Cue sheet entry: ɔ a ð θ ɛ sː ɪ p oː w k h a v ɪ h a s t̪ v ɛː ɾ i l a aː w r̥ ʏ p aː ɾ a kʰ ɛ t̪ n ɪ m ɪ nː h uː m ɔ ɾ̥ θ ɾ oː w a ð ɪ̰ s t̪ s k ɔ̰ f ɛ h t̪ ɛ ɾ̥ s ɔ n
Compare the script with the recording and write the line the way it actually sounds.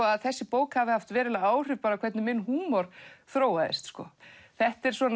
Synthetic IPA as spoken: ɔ a ð θ ɛ sː ɪ p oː w k h a v ɪ h a f t̪ v ɛː ɾ ɪ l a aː w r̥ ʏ p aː ɾ a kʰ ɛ t̪ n ɪ m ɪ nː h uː m ɔ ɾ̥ θ ɾ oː w a ð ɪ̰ s t̪ s k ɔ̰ θ ɛ h t̪ ɛ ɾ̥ s ɔ n